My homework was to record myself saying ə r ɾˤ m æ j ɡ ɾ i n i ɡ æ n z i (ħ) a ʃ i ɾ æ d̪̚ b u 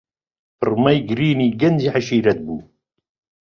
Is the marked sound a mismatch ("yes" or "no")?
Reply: no